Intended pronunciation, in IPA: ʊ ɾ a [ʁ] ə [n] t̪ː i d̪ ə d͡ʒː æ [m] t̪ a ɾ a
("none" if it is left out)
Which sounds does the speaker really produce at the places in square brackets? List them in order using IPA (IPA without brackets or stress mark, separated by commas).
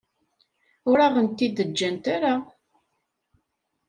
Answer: ʁ, n, n